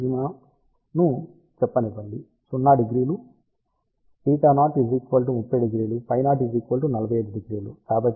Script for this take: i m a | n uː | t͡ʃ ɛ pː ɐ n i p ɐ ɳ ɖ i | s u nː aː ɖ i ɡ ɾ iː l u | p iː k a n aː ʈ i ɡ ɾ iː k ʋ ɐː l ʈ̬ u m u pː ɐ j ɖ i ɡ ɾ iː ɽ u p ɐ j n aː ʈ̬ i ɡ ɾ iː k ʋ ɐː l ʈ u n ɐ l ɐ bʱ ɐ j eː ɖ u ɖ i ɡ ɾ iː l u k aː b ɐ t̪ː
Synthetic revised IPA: i m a | n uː | t͡ʃ ɛ pː ɐ n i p ɐ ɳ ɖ i | s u nː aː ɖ i ɡ ɾ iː l u | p iː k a n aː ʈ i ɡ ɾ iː k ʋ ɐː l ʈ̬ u m u pː ɐ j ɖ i ɡ ɾ iː l u p ɐ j n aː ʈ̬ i ɡ ɾ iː k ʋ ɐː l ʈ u n ɐ l ɐ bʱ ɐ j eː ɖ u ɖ i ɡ ɾ iː l u k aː b ɐ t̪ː